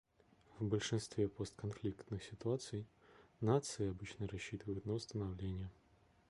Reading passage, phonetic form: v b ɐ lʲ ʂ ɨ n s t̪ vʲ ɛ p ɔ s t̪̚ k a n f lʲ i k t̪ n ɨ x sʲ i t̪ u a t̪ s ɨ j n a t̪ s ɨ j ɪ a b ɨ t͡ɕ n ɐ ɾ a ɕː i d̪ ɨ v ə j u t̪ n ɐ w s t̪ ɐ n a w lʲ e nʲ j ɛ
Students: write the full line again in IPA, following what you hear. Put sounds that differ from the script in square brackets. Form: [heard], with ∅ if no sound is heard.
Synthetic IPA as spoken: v b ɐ lʲ ʂ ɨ n s t̪ vʲ ɛ p ɔ s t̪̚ k a n f lʲ i k t̪ n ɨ x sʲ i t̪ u a t̪ s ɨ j n a t̪ s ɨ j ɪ a b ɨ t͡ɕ n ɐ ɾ a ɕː i [t̪] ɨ v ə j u t̪ n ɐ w s t̪ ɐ n a w lʲ e nʲ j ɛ